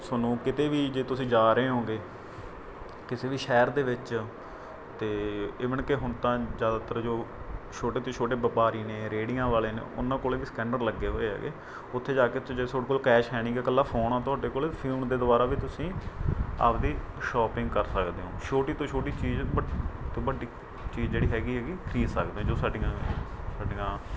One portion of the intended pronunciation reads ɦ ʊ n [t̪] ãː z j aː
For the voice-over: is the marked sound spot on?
yes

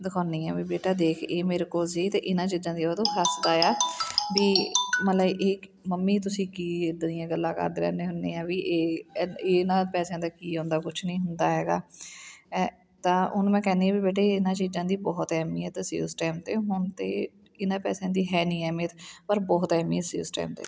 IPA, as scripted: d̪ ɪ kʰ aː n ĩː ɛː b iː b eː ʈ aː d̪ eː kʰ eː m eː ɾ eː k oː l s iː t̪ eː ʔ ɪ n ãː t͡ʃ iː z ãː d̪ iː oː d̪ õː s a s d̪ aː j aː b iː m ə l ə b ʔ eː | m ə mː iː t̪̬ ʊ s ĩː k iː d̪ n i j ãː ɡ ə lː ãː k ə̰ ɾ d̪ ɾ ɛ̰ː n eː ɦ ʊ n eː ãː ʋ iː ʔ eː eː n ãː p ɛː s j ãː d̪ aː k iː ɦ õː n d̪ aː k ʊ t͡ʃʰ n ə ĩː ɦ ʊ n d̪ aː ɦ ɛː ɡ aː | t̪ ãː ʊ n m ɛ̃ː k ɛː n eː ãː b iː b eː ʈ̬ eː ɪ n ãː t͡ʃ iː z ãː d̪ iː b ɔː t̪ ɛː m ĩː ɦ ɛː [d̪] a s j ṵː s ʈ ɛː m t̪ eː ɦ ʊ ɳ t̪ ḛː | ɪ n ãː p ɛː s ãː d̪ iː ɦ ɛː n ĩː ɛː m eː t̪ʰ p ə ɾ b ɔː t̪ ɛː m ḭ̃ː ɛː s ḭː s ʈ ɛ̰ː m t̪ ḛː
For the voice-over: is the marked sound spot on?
no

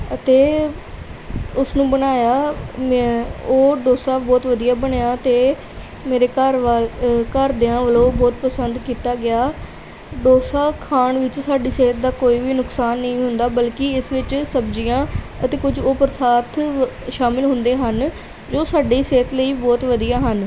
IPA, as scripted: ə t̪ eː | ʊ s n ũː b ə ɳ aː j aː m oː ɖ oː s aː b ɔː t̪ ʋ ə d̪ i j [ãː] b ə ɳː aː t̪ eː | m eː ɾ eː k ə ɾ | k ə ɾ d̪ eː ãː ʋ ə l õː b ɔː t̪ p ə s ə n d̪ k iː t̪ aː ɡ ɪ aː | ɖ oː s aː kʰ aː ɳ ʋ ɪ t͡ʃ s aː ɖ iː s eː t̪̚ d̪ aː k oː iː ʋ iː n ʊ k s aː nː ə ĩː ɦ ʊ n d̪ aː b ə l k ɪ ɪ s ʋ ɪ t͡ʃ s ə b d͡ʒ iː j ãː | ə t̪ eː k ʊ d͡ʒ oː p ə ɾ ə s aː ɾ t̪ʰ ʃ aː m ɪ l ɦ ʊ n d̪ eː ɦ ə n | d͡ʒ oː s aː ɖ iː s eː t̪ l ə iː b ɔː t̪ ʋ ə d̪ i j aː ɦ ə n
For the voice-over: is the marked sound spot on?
no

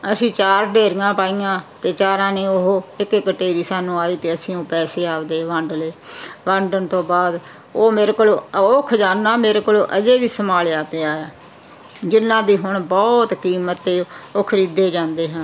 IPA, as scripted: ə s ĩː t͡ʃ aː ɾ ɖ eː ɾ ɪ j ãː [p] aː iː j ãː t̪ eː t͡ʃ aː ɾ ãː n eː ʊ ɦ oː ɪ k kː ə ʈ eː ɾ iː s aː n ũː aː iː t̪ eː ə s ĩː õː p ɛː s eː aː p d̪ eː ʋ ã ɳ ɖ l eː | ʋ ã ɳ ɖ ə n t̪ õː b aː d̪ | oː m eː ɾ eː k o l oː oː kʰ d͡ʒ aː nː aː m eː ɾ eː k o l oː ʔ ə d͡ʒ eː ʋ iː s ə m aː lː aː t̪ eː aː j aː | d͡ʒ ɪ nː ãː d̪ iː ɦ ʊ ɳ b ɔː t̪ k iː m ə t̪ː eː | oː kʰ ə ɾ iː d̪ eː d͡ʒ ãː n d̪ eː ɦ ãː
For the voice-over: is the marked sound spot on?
yes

